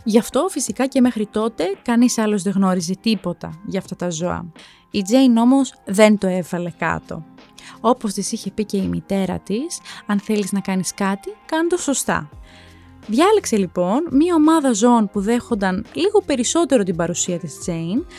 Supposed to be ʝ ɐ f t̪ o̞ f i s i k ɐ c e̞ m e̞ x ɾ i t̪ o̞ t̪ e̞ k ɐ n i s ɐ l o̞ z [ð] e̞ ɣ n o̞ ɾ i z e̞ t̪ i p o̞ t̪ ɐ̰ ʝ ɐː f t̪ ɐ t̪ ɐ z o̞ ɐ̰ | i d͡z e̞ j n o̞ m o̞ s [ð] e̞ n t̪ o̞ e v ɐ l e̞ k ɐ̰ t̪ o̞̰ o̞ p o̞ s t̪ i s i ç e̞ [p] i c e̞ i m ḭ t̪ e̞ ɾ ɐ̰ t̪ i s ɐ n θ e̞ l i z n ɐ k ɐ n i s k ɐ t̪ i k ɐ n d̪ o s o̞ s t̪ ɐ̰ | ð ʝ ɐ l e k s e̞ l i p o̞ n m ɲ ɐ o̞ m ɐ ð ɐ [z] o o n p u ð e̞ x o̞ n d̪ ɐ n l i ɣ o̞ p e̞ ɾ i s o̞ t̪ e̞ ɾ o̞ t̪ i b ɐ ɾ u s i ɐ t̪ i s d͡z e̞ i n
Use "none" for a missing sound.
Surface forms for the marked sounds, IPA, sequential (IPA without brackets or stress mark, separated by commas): ð, ð, p, z